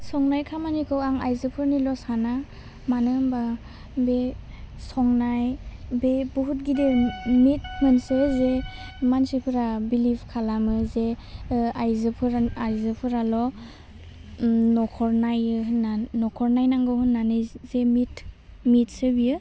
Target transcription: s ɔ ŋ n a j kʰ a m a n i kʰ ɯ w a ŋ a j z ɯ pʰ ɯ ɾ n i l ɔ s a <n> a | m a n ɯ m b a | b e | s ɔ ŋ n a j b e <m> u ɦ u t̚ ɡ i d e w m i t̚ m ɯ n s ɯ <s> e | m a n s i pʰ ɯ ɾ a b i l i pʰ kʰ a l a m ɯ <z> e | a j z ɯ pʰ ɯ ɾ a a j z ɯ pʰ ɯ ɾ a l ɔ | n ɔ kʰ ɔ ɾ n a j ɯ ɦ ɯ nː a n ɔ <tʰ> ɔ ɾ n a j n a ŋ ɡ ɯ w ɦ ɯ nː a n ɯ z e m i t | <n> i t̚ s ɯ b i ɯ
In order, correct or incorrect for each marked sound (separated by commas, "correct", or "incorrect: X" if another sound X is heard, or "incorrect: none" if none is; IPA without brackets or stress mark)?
correct, incorrect: b, incorrect: z, correct, incorrect: kʰ, incorrect: m